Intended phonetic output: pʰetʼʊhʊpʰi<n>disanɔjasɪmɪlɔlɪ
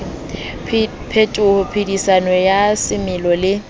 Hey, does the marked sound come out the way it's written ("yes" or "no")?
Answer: no